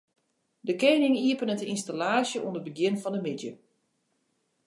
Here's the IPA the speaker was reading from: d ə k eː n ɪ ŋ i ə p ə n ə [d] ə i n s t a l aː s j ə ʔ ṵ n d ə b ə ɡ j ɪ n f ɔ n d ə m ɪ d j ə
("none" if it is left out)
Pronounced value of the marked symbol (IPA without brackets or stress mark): t